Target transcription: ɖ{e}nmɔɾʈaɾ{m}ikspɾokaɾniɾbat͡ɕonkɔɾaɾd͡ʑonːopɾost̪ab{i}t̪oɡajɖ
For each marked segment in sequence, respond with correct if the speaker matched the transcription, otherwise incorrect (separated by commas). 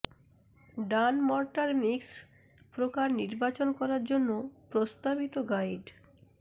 incorrect, correct, correct